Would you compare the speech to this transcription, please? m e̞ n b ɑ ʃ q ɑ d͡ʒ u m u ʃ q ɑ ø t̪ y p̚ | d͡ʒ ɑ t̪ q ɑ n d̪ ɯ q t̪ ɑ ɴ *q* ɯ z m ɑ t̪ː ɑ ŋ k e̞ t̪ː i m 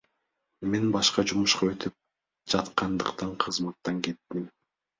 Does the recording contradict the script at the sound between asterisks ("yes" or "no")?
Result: yes